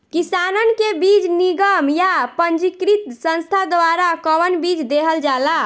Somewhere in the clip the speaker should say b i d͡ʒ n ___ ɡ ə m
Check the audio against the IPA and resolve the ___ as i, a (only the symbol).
i